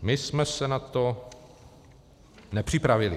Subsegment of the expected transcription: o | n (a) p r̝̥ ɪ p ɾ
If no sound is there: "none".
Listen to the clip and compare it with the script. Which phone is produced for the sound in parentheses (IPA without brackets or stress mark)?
ɛ